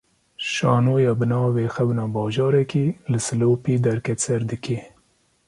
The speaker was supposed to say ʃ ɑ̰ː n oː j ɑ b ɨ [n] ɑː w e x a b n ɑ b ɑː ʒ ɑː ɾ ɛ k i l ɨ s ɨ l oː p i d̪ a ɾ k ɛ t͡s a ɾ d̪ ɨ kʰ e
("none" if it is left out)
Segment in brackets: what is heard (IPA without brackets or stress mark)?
n